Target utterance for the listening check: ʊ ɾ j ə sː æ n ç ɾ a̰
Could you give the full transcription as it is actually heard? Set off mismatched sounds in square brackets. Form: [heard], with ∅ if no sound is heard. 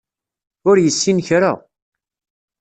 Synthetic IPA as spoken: ʊ ɾ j ə sː [i] n ç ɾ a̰